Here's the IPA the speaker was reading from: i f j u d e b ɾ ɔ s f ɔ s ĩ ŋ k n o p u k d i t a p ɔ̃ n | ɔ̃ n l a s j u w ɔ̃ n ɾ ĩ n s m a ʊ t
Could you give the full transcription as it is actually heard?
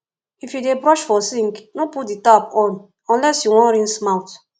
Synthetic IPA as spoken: i f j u d e b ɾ ɔ ʃ f ɔ s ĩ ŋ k n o p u t d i t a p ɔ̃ n | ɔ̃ n l ɛ s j u w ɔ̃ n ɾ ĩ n s m a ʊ t